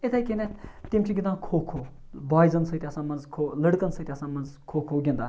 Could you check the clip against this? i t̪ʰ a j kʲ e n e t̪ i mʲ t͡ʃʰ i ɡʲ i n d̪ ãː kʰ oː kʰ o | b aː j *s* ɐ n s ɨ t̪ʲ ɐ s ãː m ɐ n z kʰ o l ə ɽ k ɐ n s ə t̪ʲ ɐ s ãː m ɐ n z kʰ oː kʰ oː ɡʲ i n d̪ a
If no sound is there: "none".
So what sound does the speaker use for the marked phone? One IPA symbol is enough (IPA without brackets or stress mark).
z